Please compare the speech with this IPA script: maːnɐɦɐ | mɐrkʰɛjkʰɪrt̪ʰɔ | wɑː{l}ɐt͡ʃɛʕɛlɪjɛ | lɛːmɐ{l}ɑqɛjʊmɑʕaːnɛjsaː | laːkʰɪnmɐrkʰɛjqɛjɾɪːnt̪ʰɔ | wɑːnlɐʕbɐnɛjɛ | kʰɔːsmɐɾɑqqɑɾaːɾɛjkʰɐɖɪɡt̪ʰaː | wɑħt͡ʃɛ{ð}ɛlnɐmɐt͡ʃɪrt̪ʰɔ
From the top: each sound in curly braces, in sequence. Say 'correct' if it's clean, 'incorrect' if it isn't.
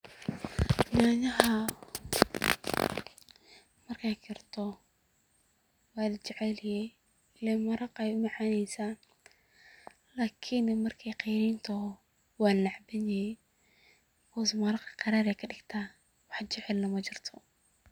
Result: correct, incorrect: ɾ, incorrect: ʕ

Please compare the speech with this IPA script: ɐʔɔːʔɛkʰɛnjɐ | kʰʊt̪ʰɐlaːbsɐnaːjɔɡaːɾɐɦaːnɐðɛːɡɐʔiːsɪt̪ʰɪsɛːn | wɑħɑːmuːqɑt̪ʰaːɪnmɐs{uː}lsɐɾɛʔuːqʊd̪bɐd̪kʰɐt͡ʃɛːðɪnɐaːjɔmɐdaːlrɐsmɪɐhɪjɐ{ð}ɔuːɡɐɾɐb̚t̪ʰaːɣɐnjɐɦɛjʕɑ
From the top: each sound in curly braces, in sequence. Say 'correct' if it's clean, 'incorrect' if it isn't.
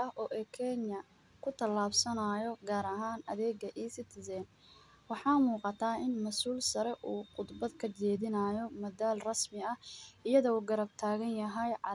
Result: correct, correct

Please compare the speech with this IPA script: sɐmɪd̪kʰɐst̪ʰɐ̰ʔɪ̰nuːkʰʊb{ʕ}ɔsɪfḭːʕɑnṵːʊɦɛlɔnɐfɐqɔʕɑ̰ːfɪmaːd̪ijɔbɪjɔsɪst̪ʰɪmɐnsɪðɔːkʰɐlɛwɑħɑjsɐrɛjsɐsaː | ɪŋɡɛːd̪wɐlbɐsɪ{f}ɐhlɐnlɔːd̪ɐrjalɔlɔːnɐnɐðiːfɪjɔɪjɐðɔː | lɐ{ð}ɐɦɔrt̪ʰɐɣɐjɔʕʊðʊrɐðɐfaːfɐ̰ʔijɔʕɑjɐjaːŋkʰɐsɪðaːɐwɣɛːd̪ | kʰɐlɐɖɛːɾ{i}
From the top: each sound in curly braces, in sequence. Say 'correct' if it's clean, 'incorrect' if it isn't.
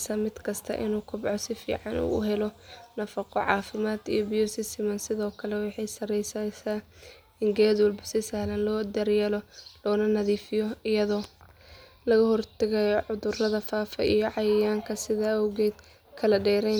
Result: correct, incorrect: s, incorrect: ɣ, incorrect: ɛ

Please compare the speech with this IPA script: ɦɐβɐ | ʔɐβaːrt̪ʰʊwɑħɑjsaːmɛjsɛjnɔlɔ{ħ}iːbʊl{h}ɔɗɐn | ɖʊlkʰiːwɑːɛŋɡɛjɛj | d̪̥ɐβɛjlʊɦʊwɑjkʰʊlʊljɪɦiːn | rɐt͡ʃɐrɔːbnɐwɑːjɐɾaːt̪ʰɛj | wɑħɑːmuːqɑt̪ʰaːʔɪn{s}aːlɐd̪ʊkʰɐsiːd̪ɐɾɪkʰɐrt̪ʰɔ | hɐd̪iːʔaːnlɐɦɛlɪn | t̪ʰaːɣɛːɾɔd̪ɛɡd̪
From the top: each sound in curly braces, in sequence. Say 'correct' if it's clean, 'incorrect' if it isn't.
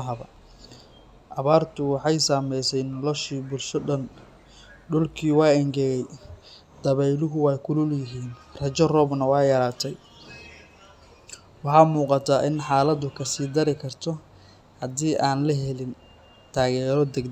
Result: incorrect: ʃ, incorrect: ʃ, incorrect: ħ

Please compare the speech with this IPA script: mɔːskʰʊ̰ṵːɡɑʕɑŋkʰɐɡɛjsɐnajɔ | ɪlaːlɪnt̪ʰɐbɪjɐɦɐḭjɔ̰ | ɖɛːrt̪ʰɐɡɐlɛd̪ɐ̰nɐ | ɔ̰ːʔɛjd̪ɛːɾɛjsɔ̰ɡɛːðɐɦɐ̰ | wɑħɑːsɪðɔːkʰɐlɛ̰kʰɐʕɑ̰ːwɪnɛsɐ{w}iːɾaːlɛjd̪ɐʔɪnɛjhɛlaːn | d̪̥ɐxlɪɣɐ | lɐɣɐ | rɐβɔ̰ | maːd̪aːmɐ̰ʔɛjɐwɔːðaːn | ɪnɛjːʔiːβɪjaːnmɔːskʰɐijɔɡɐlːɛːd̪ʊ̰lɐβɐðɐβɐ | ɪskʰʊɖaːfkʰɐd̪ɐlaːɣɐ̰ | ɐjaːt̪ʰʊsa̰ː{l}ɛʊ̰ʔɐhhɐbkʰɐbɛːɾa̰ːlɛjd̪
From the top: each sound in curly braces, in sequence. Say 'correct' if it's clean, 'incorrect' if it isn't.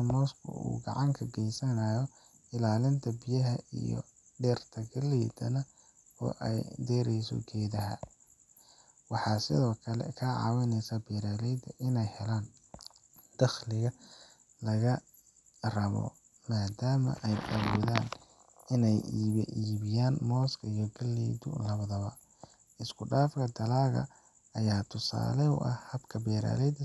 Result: incorrect: b, correct

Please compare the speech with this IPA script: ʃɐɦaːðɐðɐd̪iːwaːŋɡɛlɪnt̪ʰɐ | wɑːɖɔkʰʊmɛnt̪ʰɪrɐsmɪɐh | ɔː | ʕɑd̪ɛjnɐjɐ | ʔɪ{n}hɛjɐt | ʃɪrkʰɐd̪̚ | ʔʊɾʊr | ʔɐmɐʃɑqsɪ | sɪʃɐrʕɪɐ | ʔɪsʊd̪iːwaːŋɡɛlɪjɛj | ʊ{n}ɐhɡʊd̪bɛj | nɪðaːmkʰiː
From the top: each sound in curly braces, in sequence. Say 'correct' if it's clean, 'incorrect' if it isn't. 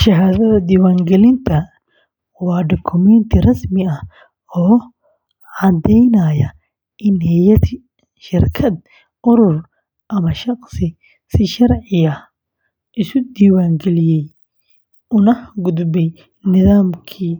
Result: correct, correct

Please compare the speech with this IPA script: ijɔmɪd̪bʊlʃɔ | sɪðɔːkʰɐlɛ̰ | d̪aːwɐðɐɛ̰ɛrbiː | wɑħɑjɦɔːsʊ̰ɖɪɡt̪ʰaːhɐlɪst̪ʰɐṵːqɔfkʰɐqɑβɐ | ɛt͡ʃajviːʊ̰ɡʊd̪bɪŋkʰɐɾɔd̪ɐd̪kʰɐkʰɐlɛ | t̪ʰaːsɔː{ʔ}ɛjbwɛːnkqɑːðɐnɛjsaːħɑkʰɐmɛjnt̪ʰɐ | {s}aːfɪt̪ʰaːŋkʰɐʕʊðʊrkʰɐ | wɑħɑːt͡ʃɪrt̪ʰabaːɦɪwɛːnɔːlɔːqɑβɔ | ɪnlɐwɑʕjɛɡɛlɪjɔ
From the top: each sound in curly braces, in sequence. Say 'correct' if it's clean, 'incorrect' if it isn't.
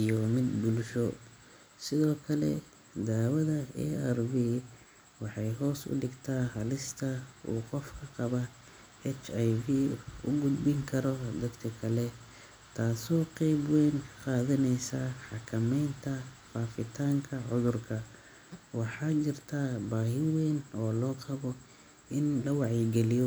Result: incorrect: q, incorrect: f

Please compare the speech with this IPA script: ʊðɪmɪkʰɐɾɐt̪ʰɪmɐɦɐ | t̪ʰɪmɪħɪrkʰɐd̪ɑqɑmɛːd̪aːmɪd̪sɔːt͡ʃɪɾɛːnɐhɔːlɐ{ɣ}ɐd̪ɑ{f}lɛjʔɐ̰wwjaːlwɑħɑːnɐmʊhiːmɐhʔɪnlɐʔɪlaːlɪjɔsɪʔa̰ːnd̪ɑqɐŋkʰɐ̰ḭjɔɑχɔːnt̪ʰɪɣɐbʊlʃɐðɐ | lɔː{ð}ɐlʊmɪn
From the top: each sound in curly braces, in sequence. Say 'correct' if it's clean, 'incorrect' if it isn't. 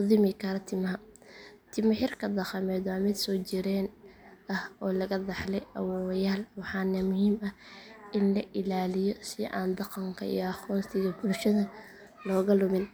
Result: correct, incorrect: ħ, incorrect: ɣ

